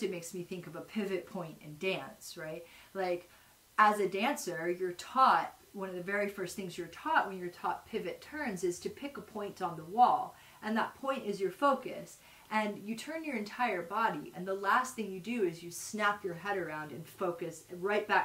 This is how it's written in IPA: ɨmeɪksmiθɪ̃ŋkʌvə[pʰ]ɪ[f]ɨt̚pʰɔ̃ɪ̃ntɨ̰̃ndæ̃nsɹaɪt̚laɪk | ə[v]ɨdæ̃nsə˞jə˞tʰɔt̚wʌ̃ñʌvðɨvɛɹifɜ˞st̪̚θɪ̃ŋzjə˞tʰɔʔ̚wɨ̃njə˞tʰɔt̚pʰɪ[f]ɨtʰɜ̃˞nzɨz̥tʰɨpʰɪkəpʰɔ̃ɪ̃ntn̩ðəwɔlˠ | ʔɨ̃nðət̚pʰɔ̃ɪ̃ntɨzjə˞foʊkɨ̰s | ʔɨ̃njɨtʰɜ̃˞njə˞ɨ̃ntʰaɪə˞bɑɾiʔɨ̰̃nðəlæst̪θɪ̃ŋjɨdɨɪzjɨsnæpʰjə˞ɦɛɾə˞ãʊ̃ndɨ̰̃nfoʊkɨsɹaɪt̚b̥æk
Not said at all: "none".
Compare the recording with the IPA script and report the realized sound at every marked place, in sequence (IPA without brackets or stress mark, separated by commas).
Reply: pʰ, v, z, v